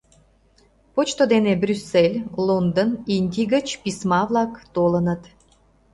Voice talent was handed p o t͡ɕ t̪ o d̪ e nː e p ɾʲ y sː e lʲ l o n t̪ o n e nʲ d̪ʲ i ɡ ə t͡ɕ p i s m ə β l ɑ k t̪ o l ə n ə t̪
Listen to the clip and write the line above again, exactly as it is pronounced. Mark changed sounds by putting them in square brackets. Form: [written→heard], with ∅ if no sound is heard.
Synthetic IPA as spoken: p o t͡ɕ t̪ o d̪ e [nː→n] e [p→b] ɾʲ y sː e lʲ l o n [t̪→d̪] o n [e→i] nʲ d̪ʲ i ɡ ə t͡ɕ p i s m [ə→ɑ] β l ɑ k t̪ o l ə n ə t̪